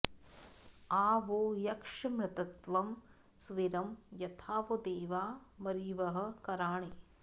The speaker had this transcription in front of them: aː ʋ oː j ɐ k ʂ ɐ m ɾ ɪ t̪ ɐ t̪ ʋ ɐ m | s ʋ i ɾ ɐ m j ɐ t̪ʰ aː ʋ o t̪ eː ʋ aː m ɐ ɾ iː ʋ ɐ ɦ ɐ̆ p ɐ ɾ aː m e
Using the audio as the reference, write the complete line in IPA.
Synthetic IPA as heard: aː ʋ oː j ɐ k ʂ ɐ m ɾ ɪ t̪ ɐ t̪ ʋ ɐ m | s ʋ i ɾ ɐ m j ɐ t̪ʰ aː ʋ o d̪ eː ʋ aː m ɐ ɾ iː ʋ ɐ ɦ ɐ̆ k ɐ ɾ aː ɳ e